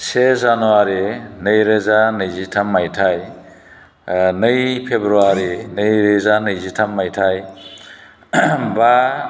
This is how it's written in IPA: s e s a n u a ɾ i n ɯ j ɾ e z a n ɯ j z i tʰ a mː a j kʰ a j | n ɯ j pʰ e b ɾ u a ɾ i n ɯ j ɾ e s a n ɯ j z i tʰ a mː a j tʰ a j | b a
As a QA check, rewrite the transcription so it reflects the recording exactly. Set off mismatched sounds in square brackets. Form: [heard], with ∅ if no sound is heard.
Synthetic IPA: s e [z] a n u a ɾ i n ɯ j ɾ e z a n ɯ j z i tʰ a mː a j [tʰ] a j | n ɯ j pʰ e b ɾ u a ɾ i n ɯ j ɾ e [z] a n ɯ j z i tʰ a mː a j tʰ a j | b a